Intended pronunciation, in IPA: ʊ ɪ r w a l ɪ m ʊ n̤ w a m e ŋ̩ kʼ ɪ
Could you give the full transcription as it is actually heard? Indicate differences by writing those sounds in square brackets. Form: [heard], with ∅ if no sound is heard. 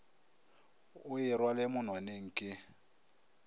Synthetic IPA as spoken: ʊ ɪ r w a l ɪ m ʊ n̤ w a [n] e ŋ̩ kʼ ɪ